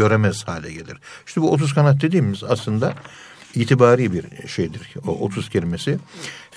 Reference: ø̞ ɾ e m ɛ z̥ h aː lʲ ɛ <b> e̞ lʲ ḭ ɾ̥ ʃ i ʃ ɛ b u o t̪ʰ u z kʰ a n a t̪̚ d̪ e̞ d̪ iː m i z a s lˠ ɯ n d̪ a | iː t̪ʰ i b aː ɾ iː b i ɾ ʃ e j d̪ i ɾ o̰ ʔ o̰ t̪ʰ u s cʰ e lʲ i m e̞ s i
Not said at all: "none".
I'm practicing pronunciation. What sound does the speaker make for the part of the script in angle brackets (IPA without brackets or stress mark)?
ɟ